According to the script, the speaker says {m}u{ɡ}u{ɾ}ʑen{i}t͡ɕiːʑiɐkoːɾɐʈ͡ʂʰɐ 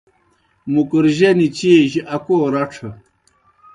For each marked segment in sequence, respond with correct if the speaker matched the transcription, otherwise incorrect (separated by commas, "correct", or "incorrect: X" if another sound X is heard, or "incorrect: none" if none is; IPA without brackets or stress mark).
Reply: correct, incorrect: k, correct, correct